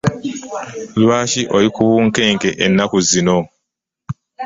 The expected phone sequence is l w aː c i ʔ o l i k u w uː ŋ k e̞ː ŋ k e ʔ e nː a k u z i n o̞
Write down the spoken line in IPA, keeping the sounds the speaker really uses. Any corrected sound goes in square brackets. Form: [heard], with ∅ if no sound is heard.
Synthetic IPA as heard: l w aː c i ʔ o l i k u [β] uː ŋ k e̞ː ŋ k e ʔ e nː a k u z i n o̞